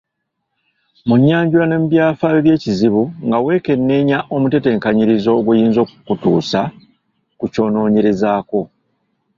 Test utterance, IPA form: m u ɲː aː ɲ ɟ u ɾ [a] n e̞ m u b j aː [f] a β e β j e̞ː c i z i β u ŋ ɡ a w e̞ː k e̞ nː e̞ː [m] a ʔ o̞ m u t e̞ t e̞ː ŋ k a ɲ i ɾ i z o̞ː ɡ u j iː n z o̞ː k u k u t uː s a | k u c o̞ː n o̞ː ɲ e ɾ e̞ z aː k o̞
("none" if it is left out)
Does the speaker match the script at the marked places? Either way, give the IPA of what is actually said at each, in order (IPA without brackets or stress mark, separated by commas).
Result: a, f, ɲ